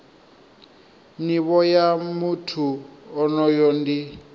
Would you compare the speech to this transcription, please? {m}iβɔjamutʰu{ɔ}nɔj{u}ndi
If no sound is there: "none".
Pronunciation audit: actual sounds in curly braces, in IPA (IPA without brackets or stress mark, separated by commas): n, ɔ, ɔ